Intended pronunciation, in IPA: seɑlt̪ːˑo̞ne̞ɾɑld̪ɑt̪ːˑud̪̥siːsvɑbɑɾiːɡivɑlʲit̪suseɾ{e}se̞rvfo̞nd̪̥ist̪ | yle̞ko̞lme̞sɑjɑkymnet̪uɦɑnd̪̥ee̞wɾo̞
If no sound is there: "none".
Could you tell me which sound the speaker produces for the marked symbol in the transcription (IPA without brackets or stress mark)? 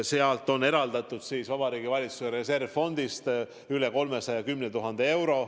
e